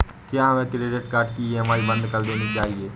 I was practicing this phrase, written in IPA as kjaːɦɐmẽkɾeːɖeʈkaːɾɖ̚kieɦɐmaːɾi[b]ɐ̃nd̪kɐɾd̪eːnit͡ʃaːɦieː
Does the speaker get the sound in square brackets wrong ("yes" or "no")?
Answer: no